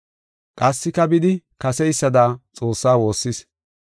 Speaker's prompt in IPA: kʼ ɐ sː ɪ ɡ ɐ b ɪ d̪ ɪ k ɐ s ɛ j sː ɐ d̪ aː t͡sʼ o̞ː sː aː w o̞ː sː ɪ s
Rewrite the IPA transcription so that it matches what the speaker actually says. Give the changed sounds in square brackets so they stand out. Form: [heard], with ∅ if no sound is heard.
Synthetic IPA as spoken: kʼ ɐ sː ɪ [k] ɐ b ɪ d̪ ɪ k ɐ s ɛ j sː ɐ d̪ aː t͡sʼ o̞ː sː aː w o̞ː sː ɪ s